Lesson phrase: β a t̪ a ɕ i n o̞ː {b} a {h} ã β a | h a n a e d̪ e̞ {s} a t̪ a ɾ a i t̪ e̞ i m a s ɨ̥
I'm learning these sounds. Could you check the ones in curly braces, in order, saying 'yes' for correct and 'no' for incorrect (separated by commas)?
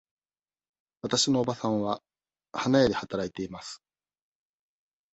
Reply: yes, no, no